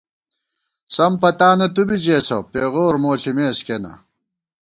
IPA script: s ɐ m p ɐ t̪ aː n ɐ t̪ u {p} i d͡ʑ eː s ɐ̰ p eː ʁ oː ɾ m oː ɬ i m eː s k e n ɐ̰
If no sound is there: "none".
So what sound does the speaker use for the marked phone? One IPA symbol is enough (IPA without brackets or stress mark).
b